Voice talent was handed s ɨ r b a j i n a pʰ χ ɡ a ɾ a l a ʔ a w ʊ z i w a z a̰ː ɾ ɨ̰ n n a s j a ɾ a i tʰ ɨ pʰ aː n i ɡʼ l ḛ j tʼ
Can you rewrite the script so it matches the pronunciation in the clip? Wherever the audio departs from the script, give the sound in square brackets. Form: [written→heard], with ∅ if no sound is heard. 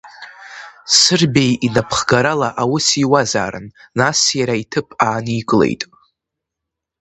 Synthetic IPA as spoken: s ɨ r b [a→e] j i n a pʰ χ ɡ a ɾ a l a ʔ a w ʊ [z→s] i w a z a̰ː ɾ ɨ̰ n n a s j a ɾ a i tʰ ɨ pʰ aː n i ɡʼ l ḛ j tʼ

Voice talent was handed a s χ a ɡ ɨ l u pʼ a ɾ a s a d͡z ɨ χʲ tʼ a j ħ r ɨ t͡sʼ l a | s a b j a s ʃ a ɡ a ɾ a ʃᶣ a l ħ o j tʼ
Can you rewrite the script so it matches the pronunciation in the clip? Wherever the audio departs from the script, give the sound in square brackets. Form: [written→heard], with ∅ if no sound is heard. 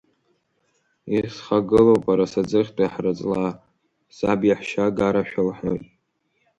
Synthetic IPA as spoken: [a→i] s χ a ɡ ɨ l [u→o] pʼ a ɾ a s a d͡z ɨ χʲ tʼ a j ħ r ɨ t͡sʼ l a | s a b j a [s→ħ] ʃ a ɡ a ɾ a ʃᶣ a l ħ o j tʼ

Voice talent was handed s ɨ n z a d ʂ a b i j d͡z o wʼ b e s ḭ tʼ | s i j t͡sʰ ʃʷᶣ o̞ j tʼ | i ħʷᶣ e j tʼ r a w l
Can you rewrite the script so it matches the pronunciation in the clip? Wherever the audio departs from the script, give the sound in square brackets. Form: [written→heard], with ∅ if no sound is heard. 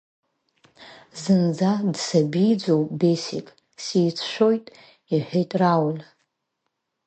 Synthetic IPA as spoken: [s→z] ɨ n [z→d͡z] a d [ʂ→s] a b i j d͡z o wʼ b e s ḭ [tʼ→kʼ] | s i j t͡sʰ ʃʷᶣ o̞ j tʼ | i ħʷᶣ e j tʼ r a w l

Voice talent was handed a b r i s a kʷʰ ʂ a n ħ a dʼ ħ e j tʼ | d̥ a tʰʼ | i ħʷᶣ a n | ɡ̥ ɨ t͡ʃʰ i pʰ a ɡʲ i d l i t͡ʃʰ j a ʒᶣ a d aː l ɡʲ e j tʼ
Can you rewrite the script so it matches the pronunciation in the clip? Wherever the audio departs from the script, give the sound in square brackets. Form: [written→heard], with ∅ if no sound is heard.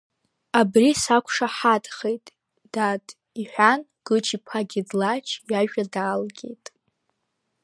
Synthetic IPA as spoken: a b r i s a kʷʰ ʂ a [n→∅] ħ a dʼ [ħ→χ] e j tʼ | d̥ a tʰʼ | i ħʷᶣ a n | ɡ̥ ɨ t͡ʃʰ i pʰ a ɡʲ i d l [i→a] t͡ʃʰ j a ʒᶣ a d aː l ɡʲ e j tʼ

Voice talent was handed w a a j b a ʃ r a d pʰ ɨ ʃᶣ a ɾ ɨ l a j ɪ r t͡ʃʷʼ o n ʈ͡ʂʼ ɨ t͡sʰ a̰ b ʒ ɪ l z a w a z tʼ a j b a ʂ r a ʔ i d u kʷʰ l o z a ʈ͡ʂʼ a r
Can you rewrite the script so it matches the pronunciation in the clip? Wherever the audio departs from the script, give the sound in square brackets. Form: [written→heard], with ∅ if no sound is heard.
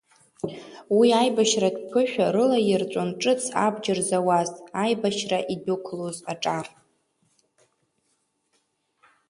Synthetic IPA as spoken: w [a→i] a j b a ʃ r a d pʰ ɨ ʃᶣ a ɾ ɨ l a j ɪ r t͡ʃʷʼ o n ʈ͡ʂʼ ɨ t͡sʰ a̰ b [ʒ→d͡ʒ] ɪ [l→r] z a w a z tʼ a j b a [ʂ→ʃ] r a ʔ i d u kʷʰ l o z a ʈ͡ʂʼ a r

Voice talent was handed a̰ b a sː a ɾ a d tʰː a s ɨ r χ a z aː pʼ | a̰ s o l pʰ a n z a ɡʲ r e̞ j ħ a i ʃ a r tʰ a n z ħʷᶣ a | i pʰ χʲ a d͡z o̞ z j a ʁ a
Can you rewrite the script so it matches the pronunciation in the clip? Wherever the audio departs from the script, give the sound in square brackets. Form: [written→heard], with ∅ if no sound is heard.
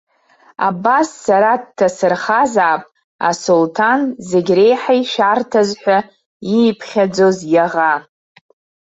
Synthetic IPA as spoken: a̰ b a sː a ɾ a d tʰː a s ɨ r χ a z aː pʼ | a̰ s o l [pʰ→tʰ] a n z [a→e] ɡʲ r e̞ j ħ a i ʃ a r tʰ a [n→∅] z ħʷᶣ a | i pʰ χʲ a d͡z o̞ z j a ʁ a

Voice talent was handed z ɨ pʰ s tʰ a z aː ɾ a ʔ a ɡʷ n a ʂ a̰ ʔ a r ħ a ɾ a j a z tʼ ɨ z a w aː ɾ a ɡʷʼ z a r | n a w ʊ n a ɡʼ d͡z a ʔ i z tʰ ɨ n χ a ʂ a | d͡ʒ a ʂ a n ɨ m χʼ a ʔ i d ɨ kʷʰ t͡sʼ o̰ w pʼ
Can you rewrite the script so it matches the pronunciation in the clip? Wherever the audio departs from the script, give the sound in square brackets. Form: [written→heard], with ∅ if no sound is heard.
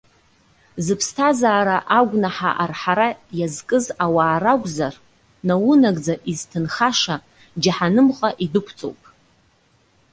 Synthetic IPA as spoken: z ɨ pʰ s tʰ a z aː ɾ a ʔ a ɡʷ n a [ʂ→ħ] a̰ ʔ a r ħ a ɾ a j a z [tʼ→kʼ] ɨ z a w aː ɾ a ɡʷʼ z a r | n a w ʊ n a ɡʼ d͡z a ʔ i z tʰ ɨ n χ a ʂ a | d͡ʒ a [ʂ→ħ] a n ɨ m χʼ a ʔ i d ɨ kʷʰ t͡sʼ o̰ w pʼ

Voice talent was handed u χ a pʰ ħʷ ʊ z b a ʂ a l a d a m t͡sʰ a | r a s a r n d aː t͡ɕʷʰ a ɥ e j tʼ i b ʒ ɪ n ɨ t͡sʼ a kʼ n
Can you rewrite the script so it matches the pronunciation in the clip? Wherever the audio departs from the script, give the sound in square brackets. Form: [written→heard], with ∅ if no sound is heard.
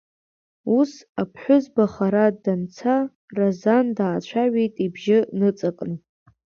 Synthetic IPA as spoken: u [χ→s] a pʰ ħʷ ʊ z b a [ʂ→χ] a [l→ɾ] a d a [m→n] t͡sʰ a | r a [s→z] a [r→∅] n d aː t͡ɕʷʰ a ɥ e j tʼ i b ʒ ɪ n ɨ t͡sʼ a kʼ n

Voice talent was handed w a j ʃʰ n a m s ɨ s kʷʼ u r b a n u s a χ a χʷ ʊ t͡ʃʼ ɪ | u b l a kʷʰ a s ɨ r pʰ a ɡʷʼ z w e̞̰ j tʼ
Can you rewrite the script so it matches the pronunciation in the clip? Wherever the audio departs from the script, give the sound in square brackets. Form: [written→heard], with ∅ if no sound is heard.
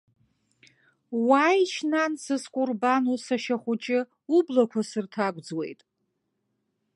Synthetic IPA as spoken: w a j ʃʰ n a [m→n] s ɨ s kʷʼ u r b a n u s a [χ→ʃ] a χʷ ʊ t͡ʃʼ ɪ | u b l a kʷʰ a s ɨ r [pʰ→tʰ] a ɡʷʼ [z→d͡z] w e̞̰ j tʼ

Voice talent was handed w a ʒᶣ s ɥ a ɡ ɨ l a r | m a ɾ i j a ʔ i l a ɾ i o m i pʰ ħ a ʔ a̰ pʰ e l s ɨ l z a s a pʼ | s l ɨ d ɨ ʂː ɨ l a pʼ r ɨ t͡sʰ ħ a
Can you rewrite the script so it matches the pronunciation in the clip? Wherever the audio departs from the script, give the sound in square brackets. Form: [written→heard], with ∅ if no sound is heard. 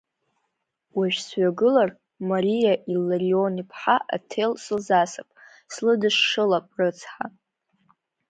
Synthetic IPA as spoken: w a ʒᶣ s ɥ a ɡ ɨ l a r | m a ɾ i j a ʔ i l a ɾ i o [m→n] i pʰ ħ a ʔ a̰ [pʰ→tʰ] e l s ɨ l z a s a pʼ | s l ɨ d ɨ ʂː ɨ l a pʼ r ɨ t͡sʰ ħ a

